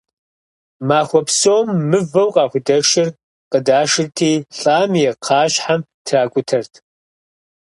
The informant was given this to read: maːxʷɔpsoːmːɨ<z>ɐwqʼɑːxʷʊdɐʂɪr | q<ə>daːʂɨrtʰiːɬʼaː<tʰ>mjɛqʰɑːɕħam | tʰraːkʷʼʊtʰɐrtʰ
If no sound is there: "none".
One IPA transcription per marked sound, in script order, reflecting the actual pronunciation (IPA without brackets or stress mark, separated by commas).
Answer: v, ə, none